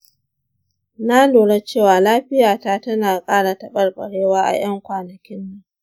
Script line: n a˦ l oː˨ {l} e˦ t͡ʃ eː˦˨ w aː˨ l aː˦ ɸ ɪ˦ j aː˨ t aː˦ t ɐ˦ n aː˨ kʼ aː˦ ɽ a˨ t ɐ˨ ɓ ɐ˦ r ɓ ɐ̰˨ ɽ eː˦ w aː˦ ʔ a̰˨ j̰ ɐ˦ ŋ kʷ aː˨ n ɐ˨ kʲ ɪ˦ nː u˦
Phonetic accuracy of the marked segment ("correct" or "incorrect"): incorrect